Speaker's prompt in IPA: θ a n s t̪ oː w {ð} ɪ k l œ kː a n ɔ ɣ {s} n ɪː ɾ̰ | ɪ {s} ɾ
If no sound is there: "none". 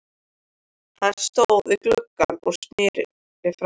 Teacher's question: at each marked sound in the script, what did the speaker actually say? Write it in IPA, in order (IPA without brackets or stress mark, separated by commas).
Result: ð, s, f